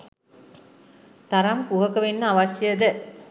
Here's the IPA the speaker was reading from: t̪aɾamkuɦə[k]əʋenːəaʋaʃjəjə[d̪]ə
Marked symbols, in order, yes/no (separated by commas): yes, yes